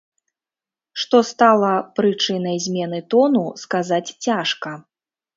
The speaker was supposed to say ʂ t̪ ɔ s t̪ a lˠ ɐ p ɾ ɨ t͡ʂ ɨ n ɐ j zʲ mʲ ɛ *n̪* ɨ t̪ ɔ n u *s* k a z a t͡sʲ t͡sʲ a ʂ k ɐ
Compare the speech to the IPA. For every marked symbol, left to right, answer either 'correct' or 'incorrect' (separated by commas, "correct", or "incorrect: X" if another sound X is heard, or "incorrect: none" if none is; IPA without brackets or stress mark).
correct, correct